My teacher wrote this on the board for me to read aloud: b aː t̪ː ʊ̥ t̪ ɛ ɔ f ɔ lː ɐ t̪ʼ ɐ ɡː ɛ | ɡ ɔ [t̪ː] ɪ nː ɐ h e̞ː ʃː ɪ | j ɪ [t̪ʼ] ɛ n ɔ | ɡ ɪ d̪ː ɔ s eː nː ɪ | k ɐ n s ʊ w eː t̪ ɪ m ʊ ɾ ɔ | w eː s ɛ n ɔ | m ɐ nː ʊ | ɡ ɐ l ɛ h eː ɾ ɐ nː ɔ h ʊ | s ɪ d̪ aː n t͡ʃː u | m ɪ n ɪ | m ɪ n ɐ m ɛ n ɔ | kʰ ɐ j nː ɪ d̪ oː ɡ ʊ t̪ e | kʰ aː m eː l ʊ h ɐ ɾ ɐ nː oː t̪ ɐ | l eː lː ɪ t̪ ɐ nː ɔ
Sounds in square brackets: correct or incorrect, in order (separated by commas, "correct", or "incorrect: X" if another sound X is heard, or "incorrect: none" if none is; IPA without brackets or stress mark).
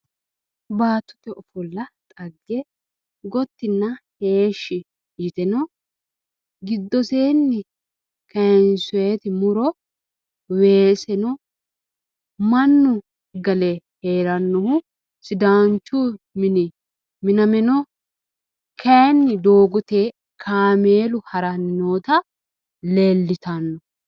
correct, incorrect: t̪